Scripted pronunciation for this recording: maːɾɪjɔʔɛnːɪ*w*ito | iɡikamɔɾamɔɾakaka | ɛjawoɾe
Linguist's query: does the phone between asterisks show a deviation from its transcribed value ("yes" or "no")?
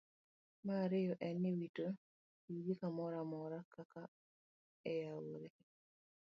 no